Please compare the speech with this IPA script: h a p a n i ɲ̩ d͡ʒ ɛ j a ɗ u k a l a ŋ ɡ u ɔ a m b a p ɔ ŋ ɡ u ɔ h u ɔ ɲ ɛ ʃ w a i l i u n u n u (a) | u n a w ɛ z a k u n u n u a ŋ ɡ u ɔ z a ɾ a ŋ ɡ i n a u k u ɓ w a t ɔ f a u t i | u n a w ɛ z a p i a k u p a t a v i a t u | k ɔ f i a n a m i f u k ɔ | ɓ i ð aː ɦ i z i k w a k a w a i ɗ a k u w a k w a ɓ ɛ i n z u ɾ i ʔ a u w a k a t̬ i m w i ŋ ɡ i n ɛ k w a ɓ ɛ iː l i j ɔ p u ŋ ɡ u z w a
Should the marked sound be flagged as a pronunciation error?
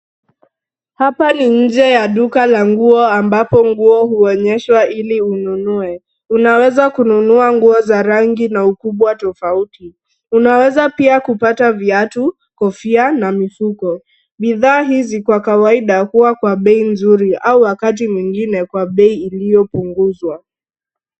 yes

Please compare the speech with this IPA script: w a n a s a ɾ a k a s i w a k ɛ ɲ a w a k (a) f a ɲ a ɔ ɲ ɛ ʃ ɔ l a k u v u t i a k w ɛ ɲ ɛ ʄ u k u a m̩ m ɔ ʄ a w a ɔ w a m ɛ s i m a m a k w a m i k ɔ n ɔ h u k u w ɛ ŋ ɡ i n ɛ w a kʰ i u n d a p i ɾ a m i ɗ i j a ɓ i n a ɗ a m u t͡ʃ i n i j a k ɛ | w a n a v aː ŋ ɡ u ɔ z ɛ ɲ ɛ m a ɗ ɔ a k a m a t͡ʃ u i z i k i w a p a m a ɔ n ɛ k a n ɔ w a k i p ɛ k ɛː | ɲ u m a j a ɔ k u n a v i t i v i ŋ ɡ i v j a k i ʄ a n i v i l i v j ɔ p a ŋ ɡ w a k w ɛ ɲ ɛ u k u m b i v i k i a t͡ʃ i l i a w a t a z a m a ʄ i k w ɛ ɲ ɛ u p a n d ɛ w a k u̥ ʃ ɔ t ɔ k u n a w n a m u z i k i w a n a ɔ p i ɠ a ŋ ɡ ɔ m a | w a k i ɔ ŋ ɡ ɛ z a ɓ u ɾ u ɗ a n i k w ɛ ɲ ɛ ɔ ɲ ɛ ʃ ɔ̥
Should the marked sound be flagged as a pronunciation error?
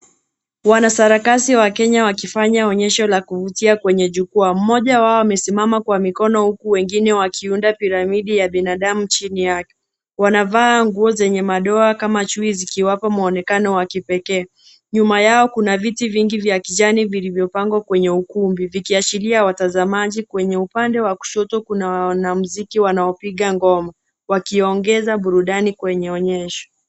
yes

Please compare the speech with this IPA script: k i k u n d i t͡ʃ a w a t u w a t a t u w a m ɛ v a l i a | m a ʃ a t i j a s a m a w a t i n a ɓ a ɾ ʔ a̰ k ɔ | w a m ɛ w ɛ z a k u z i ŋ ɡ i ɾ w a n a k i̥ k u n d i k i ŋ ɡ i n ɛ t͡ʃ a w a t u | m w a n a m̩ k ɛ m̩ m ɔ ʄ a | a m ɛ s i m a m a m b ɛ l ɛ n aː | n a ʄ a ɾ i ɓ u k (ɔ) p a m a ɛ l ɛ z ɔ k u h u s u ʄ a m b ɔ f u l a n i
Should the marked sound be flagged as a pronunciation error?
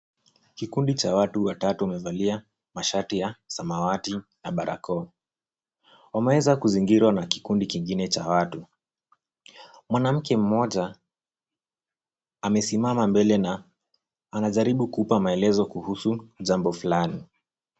yes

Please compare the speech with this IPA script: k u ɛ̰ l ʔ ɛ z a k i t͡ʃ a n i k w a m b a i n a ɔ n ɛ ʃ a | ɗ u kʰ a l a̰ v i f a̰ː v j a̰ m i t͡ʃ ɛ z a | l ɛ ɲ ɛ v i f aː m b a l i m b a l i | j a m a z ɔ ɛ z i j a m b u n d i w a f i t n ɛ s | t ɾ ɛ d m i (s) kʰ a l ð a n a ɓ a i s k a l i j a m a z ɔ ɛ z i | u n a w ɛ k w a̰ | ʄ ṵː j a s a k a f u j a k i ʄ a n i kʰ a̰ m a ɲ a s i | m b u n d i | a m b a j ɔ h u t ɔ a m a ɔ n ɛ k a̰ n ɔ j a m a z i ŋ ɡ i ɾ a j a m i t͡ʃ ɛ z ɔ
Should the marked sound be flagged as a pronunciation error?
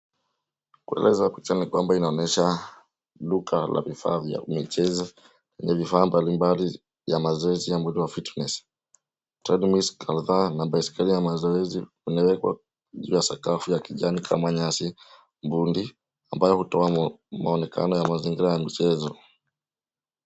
no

